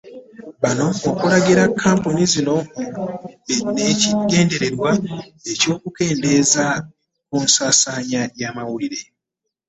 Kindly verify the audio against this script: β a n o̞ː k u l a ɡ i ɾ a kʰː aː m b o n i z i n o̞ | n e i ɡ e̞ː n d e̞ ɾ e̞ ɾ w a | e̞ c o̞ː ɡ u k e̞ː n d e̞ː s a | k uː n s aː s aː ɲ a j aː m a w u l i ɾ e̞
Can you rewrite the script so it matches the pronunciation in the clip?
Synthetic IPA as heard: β a n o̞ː k u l a ɡ i ɾ a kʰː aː m p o n i z i n o̞ | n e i ɡ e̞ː n d e̞ ɾ e̞ ɾ w a | e̞ c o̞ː k u k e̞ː n d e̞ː z a | k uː n s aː s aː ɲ a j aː m a w u l i ɾ e̞